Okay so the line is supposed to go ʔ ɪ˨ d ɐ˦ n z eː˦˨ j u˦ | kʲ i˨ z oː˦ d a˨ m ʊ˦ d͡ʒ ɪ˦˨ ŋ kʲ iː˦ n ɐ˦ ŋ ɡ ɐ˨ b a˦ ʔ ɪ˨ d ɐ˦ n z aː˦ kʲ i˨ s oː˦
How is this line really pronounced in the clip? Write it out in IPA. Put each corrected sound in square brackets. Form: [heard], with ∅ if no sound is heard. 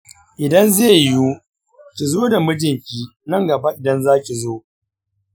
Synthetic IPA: ʔ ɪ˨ d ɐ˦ n z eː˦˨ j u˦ | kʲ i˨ z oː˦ d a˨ m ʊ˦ d͡ʒ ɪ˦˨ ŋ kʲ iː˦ n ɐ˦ ŋ ɡ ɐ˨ b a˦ ʔ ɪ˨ d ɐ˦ n z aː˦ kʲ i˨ [z] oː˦